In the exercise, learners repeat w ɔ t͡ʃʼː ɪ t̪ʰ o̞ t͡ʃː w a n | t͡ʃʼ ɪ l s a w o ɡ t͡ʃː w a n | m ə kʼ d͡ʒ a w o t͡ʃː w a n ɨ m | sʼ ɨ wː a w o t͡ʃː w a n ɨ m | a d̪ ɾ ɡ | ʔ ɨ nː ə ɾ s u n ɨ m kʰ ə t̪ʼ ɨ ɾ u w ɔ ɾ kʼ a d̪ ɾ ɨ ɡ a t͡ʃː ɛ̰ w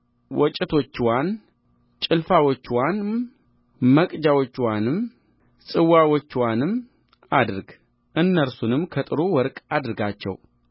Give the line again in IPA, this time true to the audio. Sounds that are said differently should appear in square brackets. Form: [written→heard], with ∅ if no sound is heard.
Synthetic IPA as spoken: w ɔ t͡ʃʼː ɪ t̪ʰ o̞ t͡ʃː w a n | t͡ʃʼ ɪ l [s→f] a w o [ɡ→∅] t͡ʃː w a n | m ə kʼ d͡ʒ a w o t͡ʃː w a n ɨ m | sʼ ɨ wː a w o t͡ʃː w a n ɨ m | a d̪ ɾ ɡ | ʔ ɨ nː ə ɾ s u n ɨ m kʰ ə t̪ʼ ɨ ɾ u w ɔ ɾ kʼ a d̪ ɾ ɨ ɡ a t͡ʃː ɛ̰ w